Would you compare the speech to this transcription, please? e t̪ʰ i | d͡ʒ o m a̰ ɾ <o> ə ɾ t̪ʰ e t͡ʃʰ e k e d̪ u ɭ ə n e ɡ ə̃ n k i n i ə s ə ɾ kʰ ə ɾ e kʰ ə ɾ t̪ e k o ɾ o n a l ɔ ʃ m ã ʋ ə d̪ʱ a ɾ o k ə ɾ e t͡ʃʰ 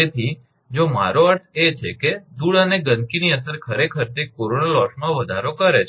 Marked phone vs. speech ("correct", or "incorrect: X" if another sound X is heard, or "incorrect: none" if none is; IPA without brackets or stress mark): correct